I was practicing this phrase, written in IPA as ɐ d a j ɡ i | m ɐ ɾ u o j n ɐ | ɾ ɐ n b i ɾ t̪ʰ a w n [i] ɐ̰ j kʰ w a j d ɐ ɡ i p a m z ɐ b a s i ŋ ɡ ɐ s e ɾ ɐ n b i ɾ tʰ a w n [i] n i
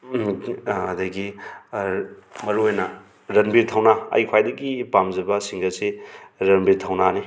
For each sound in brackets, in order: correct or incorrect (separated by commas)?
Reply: incorrect, incorrect